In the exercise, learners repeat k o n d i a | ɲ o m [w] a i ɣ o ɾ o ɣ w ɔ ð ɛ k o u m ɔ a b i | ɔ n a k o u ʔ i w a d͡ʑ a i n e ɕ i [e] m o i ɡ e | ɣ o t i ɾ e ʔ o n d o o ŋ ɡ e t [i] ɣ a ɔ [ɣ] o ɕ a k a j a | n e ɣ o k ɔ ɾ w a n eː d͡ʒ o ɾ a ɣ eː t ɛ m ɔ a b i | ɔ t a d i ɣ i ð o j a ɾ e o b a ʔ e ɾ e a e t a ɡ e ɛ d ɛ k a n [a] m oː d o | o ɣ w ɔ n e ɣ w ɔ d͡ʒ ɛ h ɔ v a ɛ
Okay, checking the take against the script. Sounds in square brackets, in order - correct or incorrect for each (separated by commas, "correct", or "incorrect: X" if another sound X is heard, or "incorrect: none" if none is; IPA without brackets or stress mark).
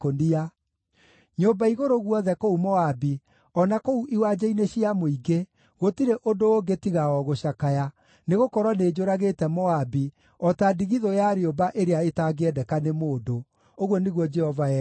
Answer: incorrect: b, incorrect: a, correct, correct, incorrect: e